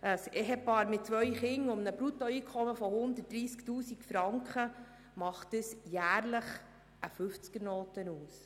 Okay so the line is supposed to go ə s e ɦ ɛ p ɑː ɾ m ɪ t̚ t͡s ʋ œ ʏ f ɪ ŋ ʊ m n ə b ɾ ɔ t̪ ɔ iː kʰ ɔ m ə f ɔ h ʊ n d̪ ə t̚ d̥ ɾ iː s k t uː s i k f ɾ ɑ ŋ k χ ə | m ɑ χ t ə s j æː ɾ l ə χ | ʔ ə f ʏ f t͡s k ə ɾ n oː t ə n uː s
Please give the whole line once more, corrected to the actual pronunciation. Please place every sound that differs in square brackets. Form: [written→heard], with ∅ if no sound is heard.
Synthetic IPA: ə s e ɦ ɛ p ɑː ɾ m ɪ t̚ t͡s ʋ œ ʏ [f→χ] ɪ ŋ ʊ m n ə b ɾ [ɔ→u] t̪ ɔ iː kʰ ɔ m ə f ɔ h ʊ n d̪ ə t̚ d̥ ɾ iː s k t uː s i k f ɾ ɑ ŋ k χ ə | m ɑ χ t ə s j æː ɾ l ə χ | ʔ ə f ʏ f t͡s k ə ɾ n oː t ə n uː s